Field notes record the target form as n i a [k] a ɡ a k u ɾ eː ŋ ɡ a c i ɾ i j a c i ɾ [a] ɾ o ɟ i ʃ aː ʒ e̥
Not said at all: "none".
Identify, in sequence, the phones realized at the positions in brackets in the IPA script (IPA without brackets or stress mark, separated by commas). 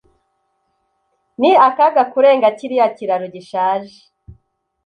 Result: k, a